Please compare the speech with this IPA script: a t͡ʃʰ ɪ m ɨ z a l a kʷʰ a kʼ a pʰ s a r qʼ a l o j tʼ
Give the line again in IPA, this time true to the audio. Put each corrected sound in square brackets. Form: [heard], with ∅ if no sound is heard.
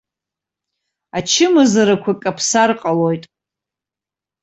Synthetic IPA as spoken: a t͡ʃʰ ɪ m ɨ z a [ɾ] a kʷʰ a kʼ a pʰ s a r qʼ a l o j tʼ